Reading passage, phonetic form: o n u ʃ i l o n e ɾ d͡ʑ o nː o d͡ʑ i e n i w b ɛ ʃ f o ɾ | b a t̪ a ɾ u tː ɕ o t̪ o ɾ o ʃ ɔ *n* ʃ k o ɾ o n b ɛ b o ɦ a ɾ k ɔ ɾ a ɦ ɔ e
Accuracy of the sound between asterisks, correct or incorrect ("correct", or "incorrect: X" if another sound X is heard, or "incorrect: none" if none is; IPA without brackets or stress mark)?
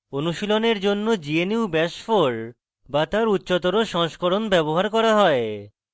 incorrect: ŋ